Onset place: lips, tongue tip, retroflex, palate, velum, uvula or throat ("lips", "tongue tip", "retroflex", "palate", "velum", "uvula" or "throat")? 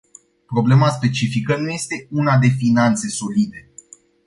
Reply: lips